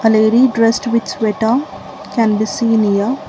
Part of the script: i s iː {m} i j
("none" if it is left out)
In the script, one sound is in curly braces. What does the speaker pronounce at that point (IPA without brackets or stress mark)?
n